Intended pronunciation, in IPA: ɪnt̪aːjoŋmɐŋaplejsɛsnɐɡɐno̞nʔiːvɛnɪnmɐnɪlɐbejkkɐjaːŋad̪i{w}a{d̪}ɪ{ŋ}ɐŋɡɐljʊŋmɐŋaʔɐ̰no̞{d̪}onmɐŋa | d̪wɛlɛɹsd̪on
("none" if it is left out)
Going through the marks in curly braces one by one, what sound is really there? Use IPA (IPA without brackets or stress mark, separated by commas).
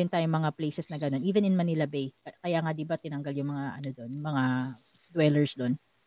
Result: b, t̪, n, d̪